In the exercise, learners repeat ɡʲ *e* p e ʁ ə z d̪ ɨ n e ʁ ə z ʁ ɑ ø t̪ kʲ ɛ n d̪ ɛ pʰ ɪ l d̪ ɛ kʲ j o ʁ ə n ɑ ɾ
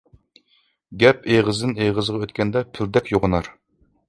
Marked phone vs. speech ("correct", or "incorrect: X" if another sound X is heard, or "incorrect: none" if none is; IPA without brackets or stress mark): incorrect: ɛ